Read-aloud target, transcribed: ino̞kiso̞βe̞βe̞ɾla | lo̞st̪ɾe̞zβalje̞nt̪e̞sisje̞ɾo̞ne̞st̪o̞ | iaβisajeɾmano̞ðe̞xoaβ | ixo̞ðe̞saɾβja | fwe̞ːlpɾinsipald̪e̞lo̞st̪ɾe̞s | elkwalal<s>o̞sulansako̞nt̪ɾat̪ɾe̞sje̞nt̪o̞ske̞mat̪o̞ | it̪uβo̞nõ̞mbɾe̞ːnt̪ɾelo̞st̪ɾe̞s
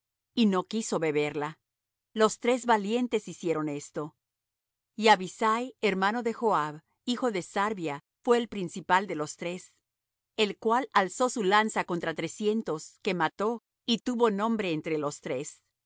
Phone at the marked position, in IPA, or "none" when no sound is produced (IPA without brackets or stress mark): s